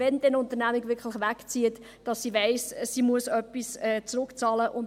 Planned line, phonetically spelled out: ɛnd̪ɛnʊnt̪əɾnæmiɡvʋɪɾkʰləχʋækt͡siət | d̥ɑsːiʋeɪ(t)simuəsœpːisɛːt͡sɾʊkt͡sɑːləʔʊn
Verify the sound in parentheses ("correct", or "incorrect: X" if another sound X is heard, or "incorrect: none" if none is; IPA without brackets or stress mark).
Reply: incorrect: s